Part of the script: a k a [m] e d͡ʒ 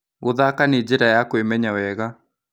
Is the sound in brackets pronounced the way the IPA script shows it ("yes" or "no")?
no